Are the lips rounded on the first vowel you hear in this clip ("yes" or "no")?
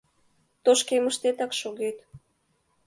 yes